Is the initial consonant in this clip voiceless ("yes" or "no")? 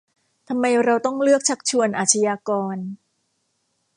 yes